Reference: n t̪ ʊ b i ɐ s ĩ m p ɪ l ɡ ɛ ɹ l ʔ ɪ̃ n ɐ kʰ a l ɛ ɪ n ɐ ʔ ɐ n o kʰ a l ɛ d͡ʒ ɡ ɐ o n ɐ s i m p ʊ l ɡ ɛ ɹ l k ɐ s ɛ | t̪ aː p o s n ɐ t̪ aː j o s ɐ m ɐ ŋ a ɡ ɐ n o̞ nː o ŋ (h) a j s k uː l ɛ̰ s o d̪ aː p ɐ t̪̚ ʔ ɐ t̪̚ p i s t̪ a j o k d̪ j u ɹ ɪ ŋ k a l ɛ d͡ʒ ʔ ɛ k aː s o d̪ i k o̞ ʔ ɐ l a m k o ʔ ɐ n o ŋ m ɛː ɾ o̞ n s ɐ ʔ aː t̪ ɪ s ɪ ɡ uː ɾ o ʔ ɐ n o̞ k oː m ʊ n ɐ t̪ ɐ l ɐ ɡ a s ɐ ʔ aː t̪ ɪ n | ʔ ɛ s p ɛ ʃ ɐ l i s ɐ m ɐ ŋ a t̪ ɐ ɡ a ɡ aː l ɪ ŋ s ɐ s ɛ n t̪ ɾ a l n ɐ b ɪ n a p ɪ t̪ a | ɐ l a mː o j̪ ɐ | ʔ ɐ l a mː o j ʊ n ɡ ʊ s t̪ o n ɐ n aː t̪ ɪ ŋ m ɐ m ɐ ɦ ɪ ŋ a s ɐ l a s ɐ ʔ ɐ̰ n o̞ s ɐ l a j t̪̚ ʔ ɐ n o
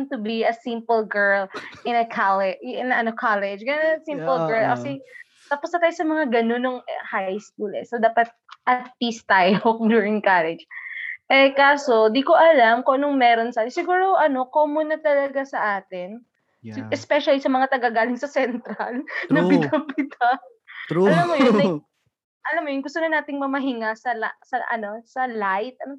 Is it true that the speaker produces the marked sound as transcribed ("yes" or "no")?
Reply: yes